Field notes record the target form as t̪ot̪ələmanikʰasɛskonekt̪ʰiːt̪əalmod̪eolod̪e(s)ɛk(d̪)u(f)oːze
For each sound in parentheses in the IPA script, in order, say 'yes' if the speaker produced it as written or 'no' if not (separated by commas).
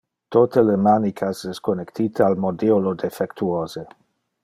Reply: no, no, no